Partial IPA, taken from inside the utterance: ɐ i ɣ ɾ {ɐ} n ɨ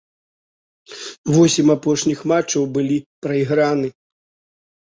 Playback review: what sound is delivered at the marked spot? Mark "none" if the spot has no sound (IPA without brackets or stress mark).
a